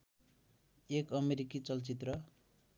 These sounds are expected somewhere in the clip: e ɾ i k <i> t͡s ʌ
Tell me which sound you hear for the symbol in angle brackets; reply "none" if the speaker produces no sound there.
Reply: i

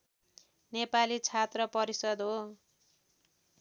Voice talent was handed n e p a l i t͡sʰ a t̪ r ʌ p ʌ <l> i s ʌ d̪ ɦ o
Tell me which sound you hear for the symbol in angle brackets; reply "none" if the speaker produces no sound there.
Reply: ɾ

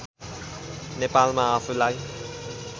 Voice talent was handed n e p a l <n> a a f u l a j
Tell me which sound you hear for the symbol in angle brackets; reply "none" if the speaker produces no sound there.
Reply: m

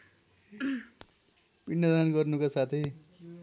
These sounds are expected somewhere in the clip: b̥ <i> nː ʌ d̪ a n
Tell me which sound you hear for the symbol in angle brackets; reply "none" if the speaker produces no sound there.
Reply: i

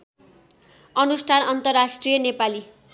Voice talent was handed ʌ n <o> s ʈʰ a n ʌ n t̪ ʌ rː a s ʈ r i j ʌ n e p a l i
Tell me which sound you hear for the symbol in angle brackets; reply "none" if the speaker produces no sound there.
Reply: u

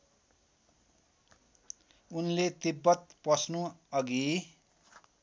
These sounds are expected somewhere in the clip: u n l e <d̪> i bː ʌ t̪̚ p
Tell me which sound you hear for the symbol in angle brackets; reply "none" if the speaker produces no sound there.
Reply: t̪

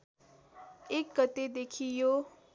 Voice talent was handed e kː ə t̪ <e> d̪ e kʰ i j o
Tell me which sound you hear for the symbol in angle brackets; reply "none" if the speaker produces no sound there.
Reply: e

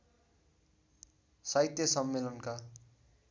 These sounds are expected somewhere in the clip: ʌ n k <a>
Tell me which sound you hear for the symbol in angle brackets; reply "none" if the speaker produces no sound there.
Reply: a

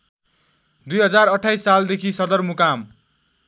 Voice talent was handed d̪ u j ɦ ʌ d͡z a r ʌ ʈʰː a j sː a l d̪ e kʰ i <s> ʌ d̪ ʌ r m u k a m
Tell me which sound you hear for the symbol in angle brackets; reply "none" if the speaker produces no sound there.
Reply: s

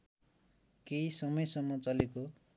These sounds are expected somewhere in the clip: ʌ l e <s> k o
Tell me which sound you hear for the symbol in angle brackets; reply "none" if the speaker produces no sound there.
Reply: none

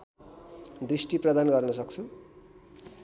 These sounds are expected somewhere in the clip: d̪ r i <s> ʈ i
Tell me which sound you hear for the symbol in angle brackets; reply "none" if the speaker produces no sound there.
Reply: s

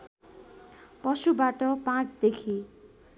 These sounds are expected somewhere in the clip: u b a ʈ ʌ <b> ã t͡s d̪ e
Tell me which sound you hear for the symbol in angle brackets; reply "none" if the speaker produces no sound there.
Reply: p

